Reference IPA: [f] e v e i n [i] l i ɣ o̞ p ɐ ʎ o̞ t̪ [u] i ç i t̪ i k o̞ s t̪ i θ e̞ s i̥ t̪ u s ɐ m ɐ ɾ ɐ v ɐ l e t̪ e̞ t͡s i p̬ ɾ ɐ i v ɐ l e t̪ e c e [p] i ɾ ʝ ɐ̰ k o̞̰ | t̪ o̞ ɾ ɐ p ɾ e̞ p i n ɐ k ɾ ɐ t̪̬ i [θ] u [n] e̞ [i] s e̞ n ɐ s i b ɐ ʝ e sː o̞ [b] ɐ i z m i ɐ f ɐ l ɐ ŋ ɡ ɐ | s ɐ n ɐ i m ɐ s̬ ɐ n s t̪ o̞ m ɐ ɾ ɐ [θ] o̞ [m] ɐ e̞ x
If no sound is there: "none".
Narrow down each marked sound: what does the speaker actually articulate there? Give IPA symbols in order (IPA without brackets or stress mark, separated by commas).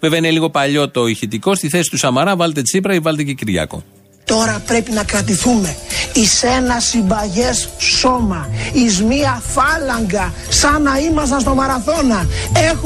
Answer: v, e, o, c, θ, m, i, m, θ, n